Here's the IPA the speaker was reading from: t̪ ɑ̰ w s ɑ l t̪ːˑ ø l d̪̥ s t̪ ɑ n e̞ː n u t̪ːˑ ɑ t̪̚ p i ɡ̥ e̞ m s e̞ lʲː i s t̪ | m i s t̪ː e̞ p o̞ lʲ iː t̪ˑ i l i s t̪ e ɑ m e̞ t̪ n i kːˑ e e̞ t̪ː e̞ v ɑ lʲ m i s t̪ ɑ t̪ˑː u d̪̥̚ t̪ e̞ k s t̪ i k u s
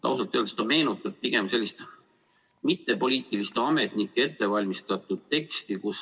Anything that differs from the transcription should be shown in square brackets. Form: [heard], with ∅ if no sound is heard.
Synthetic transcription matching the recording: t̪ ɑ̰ w s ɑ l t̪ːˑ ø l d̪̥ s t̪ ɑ [m] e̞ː n u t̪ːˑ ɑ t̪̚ p i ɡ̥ e̞ m s e̞ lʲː i s t̪ | m i [∅] t̪ː e̞ p o̞ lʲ iː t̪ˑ i l i s t̪ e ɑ m e̞ t̪ n i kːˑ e e̞ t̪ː e̞ v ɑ lʲ m i s t̪ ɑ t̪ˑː u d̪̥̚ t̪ e̞ k s t̪ i k u s